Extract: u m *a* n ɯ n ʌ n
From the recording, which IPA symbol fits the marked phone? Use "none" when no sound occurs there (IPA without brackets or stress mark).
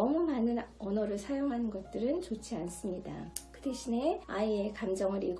a